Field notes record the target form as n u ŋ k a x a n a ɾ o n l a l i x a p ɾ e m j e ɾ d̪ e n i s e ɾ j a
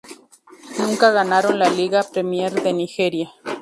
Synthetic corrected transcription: n u ŋ k a ɣ a n a ɾ o n l a l i ɣ a p ɾ e m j e ɾ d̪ e n i x e ɾ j a